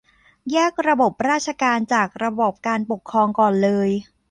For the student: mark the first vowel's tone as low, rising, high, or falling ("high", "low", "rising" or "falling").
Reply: falling